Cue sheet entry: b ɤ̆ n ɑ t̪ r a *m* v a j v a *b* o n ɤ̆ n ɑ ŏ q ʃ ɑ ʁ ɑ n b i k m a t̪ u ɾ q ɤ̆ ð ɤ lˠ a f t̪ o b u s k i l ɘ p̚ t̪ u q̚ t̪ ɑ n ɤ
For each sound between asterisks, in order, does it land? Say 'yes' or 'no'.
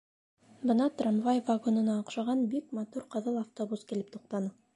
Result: yes, no

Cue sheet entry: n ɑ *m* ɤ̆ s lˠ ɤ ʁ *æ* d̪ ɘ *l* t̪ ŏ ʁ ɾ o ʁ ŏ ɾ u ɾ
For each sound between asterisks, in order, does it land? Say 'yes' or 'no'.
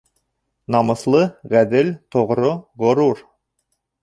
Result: yes, yes, yes

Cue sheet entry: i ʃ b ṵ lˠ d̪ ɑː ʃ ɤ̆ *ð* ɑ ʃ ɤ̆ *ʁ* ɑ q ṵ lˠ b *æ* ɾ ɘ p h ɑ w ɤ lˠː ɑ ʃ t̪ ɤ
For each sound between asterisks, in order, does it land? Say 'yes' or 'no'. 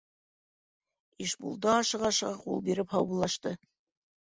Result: no, yes, no

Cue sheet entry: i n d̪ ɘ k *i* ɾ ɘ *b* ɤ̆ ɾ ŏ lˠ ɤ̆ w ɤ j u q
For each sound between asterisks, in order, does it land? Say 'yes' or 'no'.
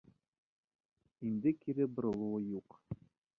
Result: yes, yes

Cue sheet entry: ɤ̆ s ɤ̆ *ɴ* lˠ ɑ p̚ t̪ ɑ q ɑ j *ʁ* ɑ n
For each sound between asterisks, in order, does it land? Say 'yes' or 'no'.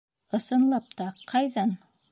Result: no, no

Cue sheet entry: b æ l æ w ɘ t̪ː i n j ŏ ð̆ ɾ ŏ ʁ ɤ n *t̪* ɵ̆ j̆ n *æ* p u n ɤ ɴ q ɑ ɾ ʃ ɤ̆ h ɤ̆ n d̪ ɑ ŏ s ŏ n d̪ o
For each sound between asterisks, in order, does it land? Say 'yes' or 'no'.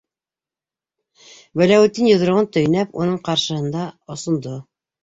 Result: yes, yes

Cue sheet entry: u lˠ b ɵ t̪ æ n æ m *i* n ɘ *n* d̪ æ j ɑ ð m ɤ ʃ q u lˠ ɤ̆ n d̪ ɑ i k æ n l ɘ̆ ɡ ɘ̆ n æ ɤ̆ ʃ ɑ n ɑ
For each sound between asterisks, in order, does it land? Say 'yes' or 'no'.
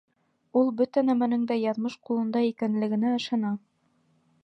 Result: no, no

